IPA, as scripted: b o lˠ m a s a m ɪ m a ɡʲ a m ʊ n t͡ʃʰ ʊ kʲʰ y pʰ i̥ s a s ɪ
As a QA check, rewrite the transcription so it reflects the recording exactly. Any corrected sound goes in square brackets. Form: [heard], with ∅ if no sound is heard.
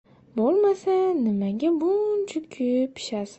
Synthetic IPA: b o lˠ m a s a [n] ɪ m a ɡʲ a [b] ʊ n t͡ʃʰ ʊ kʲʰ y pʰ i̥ [ʃ] a s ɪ